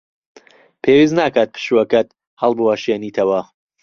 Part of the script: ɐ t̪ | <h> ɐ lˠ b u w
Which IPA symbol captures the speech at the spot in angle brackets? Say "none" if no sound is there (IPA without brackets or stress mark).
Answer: h